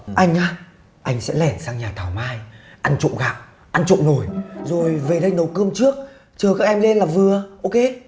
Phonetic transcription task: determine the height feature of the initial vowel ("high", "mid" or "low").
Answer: low